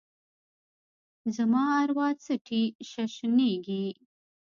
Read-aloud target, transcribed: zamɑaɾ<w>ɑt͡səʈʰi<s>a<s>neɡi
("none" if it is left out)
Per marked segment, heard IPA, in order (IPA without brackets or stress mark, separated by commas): w, ʃ, ʃ